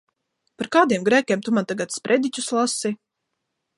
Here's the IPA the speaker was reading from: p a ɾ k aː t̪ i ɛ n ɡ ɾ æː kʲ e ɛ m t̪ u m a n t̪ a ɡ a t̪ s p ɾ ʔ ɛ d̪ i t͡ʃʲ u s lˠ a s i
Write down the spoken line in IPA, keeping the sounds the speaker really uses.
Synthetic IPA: p a ɾ k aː d̪ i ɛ m ɡ ɾ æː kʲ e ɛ m t̪ u m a n t̪ a ɡ a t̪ s p ɾ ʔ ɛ d̪ i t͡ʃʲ u s lˠ a s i